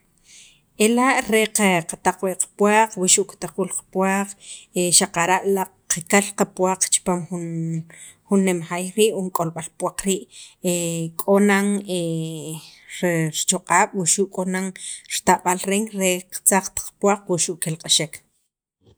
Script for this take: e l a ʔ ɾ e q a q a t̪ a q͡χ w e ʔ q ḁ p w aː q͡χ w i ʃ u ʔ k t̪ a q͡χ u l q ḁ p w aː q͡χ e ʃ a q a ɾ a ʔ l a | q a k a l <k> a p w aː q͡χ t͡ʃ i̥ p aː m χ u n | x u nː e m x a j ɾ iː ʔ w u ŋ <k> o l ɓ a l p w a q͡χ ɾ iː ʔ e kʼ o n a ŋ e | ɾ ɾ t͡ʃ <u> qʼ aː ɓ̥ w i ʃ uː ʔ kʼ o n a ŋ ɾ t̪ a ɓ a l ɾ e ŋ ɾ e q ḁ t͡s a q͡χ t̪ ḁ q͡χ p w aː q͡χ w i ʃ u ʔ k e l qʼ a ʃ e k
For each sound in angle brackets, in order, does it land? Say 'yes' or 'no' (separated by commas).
no, no, no